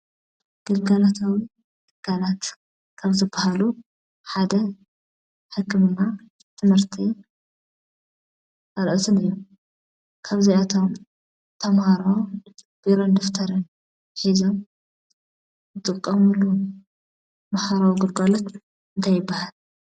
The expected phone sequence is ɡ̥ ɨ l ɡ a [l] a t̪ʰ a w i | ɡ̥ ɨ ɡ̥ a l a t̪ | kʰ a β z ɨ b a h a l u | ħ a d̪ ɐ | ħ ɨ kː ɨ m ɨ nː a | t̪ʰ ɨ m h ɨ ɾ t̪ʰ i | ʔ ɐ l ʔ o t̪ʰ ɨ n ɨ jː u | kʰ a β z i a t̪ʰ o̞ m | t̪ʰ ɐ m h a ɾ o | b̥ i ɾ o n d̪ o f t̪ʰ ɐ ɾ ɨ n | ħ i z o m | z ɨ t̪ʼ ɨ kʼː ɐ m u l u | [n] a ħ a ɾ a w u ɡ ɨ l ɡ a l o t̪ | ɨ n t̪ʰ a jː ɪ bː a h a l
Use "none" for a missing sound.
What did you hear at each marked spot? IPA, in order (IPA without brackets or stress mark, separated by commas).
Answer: l, m